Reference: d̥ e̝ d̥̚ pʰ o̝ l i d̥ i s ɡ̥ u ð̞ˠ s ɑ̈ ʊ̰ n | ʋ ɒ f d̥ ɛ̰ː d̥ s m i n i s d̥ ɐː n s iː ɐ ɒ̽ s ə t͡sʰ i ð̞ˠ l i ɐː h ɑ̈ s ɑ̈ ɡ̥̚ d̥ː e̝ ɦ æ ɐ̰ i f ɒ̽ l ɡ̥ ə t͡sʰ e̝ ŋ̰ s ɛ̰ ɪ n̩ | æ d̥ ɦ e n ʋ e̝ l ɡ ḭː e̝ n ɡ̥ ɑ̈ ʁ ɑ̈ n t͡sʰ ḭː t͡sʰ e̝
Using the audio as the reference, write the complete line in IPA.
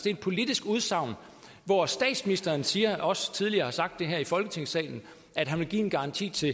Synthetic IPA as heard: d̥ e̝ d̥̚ pʰ o̝ l i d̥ i s ɡ̥ u ð̞ˠ s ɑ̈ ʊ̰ n | ʋ ɒ s d̥ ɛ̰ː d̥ s m i n i s d̥ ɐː n s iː ɐ ɒ̽ s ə t͡sʰ i ð̞ˠ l i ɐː h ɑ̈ s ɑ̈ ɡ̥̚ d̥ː e̝ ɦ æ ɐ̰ i f ɒ̽ l ɡ̥ ə t͡sʰ e̝ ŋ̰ s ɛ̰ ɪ n̩ | æ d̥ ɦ æ n ʋ e̝ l ɡ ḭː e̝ n ɡ̥ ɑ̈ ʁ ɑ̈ n t͡sʰ ḭː t͡sʰ e̝